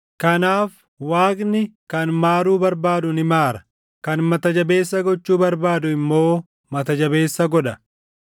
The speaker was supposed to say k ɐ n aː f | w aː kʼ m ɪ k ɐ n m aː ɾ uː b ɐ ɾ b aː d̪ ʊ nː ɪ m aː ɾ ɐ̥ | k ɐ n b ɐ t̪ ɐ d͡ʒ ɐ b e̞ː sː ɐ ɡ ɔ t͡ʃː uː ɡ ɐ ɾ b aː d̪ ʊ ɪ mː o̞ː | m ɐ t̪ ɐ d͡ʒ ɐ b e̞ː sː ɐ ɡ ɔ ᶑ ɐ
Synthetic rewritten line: k ɐ n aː f | w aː kʼ n ɪ k ɐ n m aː ɾ uː b ɐ ɾ b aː d̪ ʊ n ɪ m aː ɾ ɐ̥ | k ɐ n m ɐ t̪ ɐ d͡ʒ ɐ b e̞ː sː ɐ ɡ ɔ t͡ʃː uː b ɐ ɾ b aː d̪ ʊ ɪ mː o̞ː | m ɐ t̪ ɐ d͡ʒ ɐ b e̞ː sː ɐ ɡ ɔ ᶑ ɐ

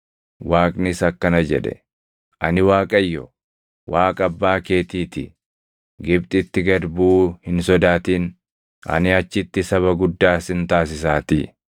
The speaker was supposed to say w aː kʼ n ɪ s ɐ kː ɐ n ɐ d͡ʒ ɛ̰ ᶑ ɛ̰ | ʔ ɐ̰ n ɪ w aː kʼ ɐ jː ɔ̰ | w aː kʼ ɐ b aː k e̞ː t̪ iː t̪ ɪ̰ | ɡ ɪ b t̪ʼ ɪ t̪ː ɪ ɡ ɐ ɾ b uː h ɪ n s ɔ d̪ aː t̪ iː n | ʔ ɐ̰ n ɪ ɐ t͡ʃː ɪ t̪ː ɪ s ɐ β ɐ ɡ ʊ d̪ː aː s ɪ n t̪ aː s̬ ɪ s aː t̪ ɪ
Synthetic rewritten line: w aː kʼ n ɪ s ɐ kː ɐ n ɐ d͡ʒ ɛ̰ ᶑ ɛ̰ | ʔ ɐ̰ n ɪ w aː kʼ ɐ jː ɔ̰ | w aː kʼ ɐ bː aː k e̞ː t̪ iː t̪ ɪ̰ | ɡ ɪ b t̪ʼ ɪ t̪ː ɪ ɡ ɐ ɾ b uː h ɪ n s ɔ d̪ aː t̪ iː n | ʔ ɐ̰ n ɪ ɐ t͡ʃː ɪ t̪ː ɪ s ɐ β ɐ ɡ ʊ d̪ː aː s ɪ n t̪ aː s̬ ɪ s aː t̪ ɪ

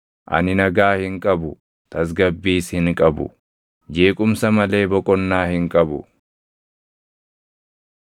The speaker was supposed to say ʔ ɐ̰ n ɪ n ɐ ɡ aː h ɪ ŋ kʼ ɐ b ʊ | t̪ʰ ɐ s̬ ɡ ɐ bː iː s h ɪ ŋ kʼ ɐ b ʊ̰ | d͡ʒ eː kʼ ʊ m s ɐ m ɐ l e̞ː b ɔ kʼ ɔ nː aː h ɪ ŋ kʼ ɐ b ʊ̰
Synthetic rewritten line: ʔ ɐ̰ n ɪ n ɐ ɡ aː h ɪ ŋ kʼ ɐ b ʊ | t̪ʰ ɐ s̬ ɡ ɐ bː iː s h ɪ ŋ kʼ ɐ b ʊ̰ | d͡ʒ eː kʼ ʊ m s ɐ m ɐ l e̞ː b ɔ kʼ ɔ nː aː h ɪ ŋ kʼ ɐ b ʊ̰

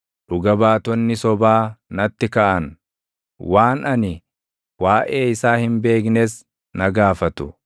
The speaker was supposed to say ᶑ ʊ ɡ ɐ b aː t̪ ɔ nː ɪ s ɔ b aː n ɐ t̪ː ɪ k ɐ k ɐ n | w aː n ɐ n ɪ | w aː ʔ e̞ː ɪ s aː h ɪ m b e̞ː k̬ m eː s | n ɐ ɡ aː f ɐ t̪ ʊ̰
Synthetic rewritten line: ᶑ ʊ ɡ ɐ b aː t̪ ɔ nː ɪ s ɔ b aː n ɐ t̪ː ɪ k ɐ ʔ ɐ n | w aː n ɐ n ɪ | w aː ʔ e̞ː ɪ s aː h ɪ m b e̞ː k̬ n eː s | n ɐ ɡ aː f ɐ t̪ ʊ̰

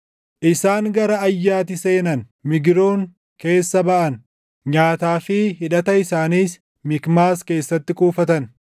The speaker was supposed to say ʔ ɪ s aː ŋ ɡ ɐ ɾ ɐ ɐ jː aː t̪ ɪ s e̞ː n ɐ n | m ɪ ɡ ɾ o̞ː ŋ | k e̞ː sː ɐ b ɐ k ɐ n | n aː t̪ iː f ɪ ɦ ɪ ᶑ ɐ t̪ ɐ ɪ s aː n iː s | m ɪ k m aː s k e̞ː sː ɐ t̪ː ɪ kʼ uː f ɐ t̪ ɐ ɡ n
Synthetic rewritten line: ʔ ɪ s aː ŋ ɡ ɐ ɾ ɐ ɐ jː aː t̪ ɪ s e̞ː n ɐ n | m ɪ ɡ ɾ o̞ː ŋ | k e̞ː sː ɐ b ɐ ʔ ɐ n | ɲ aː t̪ aː f ɪ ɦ ɪ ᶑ ɐ t̪ ɐ ɪ s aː n iː s | m ɪ k m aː s k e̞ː sː ɐ t̪ː ɪ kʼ uː f ɐ t̪ ɐ n

